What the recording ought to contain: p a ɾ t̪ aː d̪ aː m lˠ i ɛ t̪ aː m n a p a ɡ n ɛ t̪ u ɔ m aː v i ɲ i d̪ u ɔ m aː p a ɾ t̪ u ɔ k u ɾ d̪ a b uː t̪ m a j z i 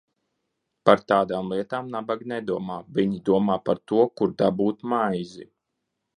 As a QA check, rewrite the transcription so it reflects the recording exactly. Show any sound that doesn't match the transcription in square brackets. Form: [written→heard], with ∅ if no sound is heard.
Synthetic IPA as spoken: p a ɾ t̪ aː d̪ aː m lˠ i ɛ t̪ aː m n a [p→b] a ɡ n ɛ [t̪→d̪] u ɔ m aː v i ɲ i d̪ u ɔ m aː p a ɾ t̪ u ɔ k u ɾ d̪ a b uː t̪ m a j z i